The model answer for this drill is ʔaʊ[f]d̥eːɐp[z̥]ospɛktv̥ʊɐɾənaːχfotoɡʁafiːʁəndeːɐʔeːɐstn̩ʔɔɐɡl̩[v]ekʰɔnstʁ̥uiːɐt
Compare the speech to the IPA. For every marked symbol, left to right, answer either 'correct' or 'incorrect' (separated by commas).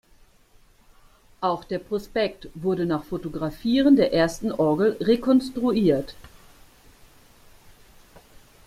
incorrect, incorrect, incorrect